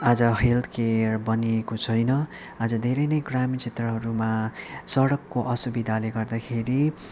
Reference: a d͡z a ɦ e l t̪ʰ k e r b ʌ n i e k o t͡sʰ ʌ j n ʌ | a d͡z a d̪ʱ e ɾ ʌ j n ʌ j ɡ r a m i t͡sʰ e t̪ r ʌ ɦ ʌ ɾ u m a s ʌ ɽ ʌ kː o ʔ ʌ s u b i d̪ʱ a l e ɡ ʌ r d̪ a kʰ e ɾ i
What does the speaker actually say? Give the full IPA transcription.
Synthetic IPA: a d͡z ʌ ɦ e l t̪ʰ k e r b ʌ n i e k o t͡sʰ ʌ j n ʌ | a d͡z ʌ d̪ʱ e ɾ ʌ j n ʌ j ɡ r a m i t͡sʰ e t̪ r ʌ ɦ ʌ ɾ u m a s ʌ ɽ ʌ kː o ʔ ʌ s u b i d̪ʱ a l e ɡ ʌ r d̪ a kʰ e ɾ i

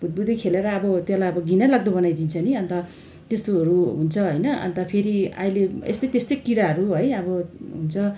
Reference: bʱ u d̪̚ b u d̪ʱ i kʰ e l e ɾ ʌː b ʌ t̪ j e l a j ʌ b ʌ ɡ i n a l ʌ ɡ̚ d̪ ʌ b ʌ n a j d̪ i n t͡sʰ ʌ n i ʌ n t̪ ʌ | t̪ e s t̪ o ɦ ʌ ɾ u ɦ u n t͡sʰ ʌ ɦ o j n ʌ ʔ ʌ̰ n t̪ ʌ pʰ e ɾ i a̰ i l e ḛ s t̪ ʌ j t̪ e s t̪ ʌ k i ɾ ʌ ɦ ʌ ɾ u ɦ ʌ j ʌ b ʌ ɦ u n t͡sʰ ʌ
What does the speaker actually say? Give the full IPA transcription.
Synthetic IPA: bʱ u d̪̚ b u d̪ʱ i kʰ e l e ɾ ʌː b ʌ t̪ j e l a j ʌ b ʌ ɡ i n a l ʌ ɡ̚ d̪ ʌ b ʌ n a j d̪ i n t͡sʰ ʌ n i ʌ n t̪ ʌ | t̪ e s t̪ o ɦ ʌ ɾ u ɦ u n t͡sʰ ʌ ɦ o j n ʌ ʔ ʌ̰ n t̪ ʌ pʰ e ɾ i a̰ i l e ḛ s t̪ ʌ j t̪ e s t̪ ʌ k i ɾ a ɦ ʌ ɾ u ɦ ʌ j ʌ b ʌ ɦ u n t͡sʰ ʌ

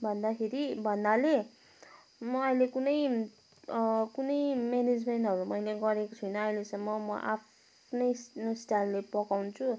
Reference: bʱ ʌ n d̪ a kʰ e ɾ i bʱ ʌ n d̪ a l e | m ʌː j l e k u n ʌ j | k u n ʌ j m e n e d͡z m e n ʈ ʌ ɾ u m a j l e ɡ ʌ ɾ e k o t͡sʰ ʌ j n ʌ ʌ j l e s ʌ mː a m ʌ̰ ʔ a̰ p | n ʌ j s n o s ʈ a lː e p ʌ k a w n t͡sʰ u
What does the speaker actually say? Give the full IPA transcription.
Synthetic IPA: bʱ ʌ n d̪ a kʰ e ɾ i bʱ ʌ n d̪ a l e | m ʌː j l e k u n ʌ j | k u n ʌ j m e n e d͡z m e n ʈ ʌ ɾ u m ʌ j l e ɡ ʌ ɾ e k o t͡sʰ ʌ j n ʌ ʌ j l e s ʌ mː ʌ m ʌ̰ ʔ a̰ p | n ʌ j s n o s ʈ a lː e p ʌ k a w n t͡sʰ u

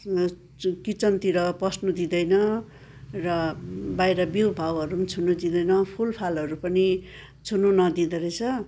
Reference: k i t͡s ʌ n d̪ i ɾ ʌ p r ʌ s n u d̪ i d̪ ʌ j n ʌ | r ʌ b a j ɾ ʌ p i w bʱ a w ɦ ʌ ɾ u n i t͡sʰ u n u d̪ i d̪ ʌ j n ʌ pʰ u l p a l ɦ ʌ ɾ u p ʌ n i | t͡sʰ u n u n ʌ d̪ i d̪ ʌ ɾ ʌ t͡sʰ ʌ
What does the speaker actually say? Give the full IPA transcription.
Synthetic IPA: k i t͡s ʌ n t̪ i ɾ ʌ p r ʌ s n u d̪ i d̪ ʌ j n ʌ | r ʌ b a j ɾ ʌ b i w bʱ a w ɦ ʌ ɾ u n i t͡sʰ u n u d̪ i d̪ ʌ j n ʌ pʰ u l pʰ a l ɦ ʌ ɾ u p ʌ n i | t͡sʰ u n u n ʌ d̪ i d̪ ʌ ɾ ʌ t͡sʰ ʌ

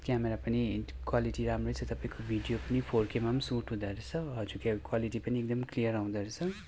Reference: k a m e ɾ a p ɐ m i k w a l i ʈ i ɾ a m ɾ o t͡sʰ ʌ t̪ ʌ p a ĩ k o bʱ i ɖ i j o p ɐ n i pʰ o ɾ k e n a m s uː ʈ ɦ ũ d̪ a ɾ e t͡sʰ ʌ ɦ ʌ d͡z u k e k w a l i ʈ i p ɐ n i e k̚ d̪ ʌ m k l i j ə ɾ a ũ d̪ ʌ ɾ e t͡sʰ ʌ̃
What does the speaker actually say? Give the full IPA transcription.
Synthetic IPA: k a m e ɾ a p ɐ n i k w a l i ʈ i ɾ a m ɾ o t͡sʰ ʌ t̪ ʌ p a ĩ k o bʱ i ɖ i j o p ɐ n i pʰ o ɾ k e m a m s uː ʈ ɦ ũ d̪ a ɾ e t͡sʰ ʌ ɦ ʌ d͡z u k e k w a l i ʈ i p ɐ n i e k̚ d̪ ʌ m k l i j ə ɾ a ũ d̪ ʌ ɾ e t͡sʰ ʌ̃

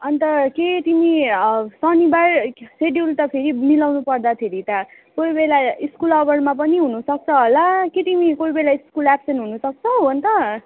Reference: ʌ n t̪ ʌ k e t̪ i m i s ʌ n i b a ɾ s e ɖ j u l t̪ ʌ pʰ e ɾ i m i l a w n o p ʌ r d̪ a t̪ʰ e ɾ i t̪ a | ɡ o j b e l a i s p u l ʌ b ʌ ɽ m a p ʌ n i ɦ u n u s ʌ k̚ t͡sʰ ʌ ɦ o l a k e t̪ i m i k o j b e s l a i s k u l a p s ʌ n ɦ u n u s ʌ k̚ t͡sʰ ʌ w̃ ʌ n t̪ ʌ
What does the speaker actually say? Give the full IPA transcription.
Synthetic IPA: ʌ n t̪ ʌ k e t̪ i m i s ʌ n i b a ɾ s e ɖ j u l t̪ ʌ pʰ e ɾ i m i l a w n u p ʌ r d̪ a t̪ʰ e ɾ i t̪ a | k o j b e l a i s k u l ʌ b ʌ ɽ m a p ʌ n i ɦ u n u s ʌ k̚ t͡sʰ ʌ ɦ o l a k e t̪ i m i k o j b e l a i s k u l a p s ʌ n ɦ u n u s ʌ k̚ t͡sʰ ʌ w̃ ʌ n t̪ ʌ

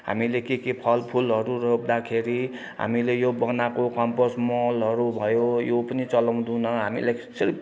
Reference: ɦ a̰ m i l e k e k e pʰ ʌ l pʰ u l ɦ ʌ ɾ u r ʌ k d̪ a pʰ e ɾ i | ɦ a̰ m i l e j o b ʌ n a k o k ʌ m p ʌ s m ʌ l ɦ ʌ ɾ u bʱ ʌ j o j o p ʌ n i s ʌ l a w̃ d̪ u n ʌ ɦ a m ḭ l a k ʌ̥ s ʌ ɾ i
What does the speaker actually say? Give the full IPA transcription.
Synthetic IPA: ɦ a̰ m i l e k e k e pʰ ʌ l pʰ u l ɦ ʌ ɾ u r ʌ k d̪ a kʰ e ɾ i | ɦ a̰ m i l e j o b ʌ n a k o k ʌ m p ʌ s m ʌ l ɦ ʌ ɾ u bʱ ʌ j o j o p ʌ n i t͡s ʌ l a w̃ d̪ u n ʌ ɦ a m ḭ l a k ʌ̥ s ʌ ɾ i

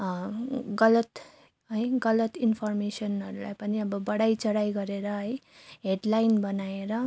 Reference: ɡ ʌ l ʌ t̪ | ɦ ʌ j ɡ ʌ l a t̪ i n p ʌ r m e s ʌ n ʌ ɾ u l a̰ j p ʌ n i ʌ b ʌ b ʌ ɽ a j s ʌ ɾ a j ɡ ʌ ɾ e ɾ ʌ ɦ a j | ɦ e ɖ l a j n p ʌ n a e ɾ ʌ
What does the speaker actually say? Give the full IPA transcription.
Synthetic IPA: ɡ ʌ l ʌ t̪ | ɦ ʌ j ɡ ʌ l ʌ t̪ i n pʰ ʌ r m e s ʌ n ʌ ɾ u l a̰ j p ʌ n i ʌ b ʌ b ʌ ɽ a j t͡s ʌ ɽ a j ɡ ʌ ɾ e ɾ ʌ ɦ ʌ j | ɦ e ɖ l a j n b ʌ n a e ɾ ʌ

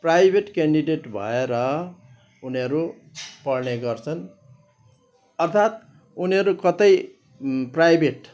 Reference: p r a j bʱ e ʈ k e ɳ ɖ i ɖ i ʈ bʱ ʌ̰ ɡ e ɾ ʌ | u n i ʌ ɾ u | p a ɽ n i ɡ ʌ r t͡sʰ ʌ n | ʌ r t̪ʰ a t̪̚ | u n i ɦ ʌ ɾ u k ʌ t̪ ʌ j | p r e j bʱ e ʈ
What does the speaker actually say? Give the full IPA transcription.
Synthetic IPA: p r a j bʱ e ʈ k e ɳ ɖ i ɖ e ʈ bʱ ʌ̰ e ɾ ʌ | u n i ʌ ɾ u | p ʌ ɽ n e ɡ ʌ r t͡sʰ ʌ n | ʌ r t̪ʰ a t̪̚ | u n i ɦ ʌ ɾ u k ʌ t̪ ʌ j | p r a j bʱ e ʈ

